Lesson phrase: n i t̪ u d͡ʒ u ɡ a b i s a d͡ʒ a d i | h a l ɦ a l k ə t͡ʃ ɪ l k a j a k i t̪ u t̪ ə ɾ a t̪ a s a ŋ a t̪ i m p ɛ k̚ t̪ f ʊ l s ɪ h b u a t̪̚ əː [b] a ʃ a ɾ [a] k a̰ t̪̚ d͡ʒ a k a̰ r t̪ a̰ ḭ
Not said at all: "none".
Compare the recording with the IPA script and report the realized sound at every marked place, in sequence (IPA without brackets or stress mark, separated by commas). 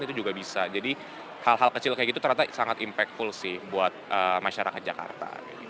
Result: m, a